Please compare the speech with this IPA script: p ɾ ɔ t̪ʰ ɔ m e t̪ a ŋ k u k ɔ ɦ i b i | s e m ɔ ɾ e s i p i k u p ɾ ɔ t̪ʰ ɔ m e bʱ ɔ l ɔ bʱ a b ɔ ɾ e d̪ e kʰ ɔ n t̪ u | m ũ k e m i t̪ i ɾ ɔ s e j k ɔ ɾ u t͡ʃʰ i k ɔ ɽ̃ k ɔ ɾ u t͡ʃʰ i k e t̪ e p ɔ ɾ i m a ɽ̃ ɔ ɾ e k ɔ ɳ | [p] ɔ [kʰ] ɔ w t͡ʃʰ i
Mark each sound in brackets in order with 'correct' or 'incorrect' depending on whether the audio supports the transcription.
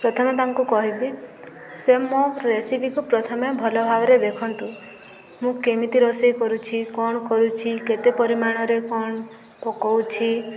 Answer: correct, incorrect: k

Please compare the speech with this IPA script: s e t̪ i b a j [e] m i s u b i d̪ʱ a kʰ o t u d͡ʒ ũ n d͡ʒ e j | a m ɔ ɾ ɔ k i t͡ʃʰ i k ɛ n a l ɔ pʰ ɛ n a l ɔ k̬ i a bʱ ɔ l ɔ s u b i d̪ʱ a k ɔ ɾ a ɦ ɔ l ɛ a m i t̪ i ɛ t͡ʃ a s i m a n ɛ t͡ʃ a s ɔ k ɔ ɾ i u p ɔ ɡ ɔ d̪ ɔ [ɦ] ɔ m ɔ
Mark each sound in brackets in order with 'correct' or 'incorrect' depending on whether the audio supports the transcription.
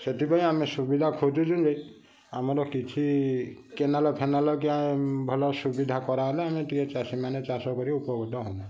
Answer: incorrect: a, correct

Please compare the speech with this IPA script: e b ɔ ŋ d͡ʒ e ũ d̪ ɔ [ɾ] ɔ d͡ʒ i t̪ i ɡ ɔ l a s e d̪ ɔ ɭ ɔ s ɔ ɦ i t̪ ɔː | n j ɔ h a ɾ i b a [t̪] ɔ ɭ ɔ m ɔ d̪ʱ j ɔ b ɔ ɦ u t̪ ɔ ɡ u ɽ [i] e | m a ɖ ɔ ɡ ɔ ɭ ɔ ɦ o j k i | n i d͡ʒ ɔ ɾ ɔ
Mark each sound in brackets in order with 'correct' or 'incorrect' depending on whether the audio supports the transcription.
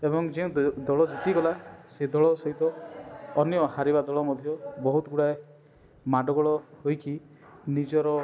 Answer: incorrect: ɭ, incorrect: d̪, incorrect: a

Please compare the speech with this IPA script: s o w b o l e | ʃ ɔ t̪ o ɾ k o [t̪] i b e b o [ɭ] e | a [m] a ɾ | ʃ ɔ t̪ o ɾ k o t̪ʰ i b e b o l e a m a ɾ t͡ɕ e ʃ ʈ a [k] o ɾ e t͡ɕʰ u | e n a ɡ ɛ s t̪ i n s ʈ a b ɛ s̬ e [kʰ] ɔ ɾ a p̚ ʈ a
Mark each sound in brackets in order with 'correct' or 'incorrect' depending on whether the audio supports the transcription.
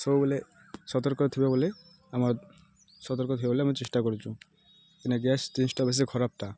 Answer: incorrect: t̪ʰ, incorrect: l, correct, correct, correct

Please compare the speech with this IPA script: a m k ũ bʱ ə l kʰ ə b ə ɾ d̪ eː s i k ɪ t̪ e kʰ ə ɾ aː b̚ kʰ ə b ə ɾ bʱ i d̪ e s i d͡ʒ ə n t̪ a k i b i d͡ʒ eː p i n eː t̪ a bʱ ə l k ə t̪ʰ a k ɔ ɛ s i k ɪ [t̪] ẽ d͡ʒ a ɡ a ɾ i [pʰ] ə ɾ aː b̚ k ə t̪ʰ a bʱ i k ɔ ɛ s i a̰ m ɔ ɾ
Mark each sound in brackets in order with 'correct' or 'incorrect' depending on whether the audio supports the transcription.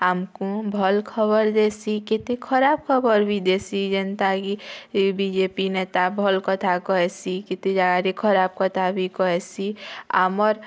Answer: correct, incorrect: kʰ

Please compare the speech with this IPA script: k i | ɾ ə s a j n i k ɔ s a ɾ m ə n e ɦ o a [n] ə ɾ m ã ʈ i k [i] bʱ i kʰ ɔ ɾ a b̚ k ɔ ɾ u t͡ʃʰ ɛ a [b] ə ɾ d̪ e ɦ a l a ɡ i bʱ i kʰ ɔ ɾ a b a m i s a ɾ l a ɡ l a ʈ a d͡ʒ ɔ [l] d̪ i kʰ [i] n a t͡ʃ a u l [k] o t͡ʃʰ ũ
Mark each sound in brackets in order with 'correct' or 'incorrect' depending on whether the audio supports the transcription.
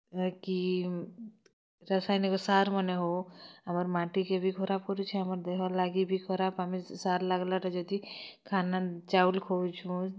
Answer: incorrect: m, incorrect: e, incorrect: m, incorrect: none, incorrect: a, incorrect: kʰ

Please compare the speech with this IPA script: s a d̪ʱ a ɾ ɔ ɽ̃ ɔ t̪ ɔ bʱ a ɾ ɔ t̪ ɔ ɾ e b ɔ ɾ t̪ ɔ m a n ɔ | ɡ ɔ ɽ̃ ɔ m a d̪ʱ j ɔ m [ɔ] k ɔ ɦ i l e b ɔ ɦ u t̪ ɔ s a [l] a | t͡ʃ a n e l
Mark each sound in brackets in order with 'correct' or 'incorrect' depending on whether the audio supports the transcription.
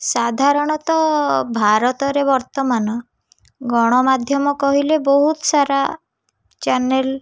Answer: correct, incorrect: ɾ

